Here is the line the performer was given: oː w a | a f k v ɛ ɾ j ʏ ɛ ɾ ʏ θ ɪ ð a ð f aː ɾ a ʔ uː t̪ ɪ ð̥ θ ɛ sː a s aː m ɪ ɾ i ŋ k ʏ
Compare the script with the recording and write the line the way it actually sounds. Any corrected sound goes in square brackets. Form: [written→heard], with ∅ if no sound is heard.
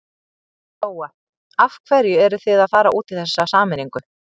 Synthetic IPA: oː w a | a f [k→kʰ] v ɛ ɾ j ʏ ɛ ɾ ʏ θ ɪ ð a ð f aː ɾ a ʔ uː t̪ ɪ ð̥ θ ɛ sː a s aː m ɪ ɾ i ŋ k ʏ